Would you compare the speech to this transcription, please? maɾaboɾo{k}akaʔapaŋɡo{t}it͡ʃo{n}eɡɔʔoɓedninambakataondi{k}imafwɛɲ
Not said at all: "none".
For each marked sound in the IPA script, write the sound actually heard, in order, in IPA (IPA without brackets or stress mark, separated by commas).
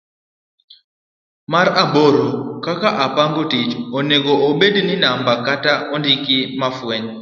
k, t, n, k